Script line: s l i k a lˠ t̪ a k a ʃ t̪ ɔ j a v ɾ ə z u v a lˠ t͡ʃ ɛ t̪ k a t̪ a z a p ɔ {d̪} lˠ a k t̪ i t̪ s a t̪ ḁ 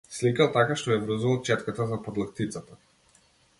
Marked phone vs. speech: correct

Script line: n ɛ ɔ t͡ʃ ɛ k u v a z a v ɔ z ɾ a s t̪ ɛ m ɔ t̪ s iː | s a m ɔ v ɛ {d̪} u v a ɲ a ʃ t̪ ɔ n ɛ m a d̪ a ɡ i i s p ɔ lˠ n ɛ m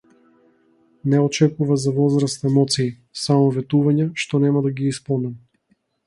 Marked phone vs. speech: incorrect: t̪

